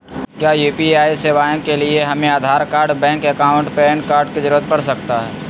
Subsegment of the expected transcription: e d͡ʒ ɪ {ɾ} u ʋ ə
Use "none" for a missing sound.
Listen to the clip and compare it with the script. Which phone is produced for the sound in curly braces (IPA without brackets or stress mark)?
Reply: ɾ